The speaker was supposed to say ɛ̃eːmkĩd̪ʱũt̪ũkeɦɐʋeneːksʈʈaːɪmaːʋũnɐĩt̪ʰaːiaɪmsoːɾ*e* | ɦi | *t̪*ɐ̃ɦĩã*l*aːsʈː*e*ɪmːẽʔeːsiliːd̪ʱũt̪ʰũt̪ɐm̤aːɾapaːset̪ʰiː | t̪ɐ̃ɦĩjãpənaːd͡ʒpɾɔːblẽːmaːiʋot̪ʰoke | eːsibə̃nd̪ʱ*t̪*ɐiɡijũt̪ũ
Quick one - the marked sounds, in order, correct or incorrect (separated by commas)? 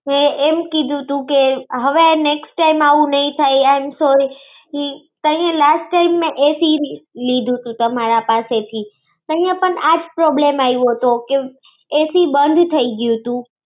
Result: incorrect, correct, correct, incorrect, incorrect